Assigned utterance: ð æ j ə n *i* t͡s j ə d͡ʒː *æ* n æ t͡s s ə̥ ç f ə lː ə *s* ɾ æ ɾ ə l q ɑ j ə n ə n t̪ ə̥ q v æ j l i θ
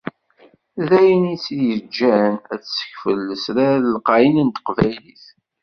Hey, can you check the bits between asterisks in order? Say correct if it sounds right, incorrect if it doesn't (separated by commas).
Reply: correct, correct, correct